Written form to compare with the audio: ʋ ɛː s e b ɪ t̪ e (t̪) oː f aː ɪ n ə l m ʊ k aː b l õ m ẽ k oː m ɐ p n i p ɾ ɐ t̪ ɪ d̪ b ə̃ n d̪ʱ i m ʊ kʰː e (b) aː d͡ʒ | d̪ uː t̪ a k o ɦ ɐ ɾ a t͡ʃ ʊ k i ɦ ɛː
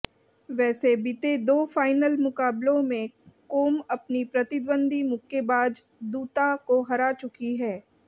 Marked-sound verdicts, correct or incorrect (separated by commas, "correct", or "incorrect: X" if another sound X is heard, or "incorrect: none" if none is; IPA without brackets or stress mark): incorrect: d̪, correct